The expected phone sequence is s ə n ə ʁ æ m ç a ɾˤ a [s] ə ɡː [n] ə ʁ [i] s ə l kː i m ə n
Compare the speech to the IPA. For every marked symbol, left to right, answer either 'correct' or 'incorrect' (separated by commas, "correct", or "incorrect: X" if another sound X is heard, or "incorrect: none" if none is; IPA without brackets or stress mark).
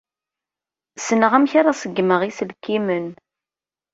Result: correct, incorrect: m, correct